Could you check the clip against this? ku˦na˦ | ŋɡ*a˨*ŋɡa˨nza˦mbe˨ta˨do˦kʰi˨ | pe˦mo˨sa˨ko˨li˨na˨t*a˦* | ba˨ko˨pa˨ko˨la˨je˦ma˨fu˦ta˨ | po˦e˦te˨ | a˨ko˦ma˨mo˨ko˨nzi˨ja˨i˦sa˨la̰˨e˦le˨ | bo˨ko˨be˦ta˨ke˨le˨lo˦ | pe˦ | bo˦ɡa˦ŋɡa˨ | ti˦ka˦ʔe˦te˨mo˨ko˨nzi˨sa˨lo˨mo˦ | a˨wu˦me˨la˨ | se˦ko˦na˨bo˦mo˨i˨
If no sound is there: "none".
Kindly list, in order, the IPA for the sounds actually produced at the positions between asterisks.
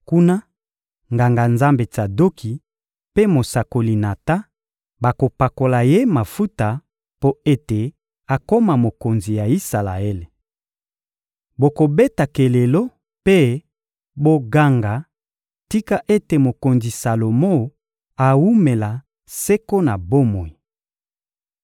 a˨, a˦

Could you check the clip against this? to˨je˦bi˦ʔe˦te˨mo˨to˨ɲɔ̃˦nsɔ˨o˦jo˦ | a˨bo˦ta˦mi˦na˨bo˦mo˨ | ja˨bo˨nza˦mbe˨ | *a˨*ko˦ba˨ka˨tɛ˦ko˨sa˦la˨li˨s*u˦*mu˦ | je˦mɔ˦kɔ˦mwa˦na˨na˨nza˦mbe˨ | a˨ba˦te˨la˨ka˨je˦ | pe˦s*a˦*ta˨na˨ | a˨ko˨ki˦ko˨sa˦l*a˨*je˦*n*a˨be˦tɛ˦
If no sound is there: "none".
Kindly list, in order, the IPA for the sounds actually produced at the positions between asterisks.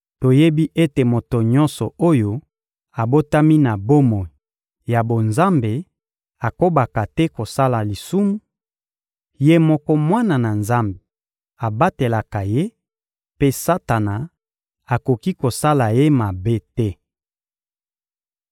a˨, u˦, a˦, a˨, m

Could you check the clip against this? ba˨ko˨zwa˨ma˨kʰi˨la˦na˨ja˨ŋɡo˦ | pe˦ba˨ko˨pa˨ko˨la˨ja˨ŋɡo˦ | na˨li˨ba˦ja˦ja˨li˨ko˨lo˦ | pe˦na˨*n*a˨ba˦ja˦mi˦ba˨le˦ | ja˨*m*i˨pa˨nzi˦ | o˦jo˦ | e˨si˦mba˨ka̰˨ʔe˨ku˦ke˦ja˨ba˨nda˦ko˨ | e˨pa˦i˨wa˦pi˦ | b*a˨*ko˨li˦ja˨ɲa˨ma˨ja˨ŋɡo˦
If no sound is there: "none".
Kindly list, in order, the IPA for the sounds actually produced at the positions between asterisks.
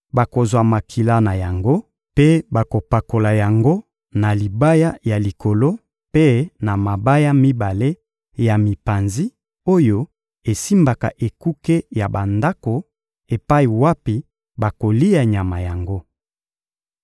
m, m, a˨

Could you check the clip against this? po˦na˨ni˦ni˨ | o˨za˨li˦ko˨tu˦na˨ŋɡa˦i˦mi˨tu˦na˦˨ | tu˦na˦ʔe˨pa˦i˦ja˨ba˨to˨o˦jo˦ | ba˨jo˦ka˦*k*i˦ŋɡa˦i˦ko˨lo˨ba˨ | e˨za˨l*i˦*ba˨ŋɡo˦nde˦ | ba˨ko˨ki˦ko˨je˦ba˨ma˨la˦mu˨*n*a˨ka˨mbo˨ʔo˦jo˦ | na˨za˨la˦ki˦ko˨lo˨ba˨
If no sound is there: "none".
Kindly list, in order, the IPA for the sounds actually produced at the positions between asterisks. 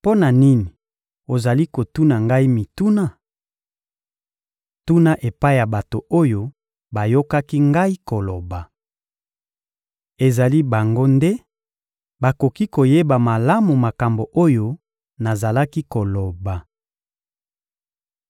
k, i˦, m

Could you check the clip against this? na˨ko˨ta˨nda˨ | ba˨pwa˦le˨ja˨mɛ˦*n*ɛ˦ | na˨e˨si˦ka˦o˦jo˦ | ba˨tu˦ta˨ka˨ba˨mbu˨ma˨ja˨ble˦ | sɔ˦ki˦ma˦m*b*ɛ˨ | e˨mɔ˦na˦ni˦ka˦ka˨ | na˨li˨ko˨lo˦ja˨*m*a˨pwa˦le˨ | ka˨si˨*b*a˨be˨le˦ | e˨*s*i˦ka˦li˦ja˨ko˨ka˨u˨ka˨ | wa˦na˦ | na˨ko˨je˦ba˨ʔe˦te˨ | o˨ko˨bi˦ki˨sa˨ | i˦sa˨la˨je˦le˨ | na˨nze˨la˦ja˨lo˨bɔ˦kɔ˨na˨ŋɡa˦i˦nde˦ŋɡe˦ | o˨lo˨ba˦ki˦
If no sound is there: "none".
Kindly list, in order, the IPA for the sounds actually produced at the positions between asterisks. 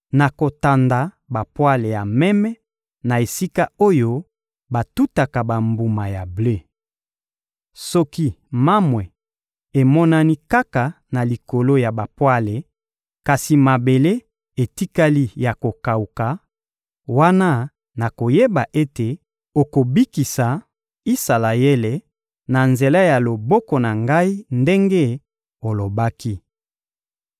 m, w, b, m, t

